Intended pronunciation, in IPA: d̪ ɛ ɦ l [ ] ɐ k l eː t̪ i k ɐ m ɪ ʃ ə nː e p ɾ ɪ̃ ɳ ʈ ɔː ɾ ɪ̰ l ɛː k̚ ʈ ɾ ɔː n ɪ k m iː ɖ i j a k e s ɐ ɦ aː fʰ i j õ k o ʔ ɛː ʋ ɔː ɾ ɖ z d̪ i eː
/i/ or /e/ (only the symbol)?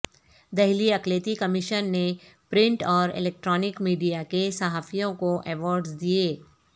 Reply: i